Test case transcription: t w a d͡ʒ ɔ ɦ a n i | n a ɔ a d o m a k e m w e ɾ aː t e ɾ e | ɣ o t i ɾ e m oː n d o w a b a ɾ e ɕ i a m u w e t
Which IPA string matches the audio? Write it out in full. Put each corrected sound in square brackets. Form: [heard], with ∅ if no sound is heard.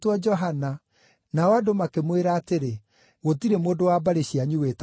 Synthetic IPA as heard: t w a d͡ʒ ɔ ɦ a n [a] | n a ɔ a d o m a k e m w e ɾ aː t e ɾ e | ɣ o t i ɾ e m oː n d o w a b a ɾ e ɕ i a [ɲ] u w e t